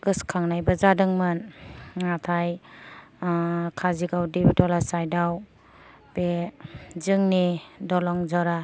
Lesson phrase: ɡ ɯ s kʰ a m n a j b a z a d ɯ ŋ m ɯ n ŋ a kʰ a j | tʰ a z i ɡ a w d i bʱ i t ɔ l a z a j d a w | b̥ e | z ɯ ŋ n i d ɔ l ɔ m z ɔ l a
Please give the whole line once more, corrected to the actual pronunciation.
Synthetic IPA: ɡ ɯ s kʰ a ŋ n a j b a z a d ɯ ŋ m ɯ n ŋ a tʰ a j | kʰ a z i ɡ a w d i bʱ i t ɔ l a s a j d a w | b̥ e | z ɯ ŋ n i d ɔ l ɔ ŋ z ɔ ɾ a